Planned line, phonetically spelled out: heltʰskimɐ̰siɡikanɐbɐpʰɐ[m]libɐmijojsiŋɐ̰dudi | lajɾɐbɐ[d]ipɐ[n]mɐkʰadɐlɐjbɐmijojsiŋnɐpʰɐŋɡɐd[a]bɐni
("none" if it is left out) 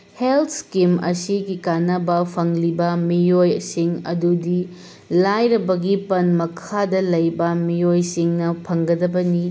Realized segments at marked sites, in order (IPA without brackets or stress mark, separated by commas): ŋ, ɡ, n, ɐ